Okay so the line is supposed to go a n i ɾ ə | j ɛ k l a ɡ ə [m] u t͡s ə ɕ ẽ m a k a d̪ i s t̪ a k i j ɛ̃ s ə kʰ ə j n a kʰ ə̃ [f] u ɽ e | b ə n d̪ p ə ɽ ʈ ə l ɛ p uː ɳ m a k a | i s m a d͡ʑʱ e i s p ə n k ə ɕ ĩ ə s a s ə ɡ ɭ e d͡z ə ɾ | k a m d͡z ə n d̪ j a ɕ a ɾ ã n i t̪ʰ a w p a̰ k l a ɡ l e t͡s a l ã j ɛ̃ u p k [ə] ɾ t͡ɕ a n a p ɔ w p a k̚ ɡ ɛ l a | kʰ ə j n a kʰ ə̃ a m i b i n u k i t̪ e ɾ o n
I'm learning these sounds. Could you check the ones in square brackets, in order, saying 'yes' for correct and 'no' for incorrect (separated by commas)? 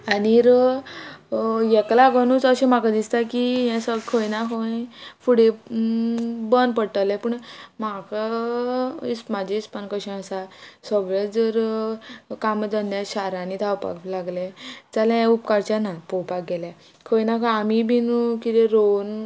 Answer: no, yes, no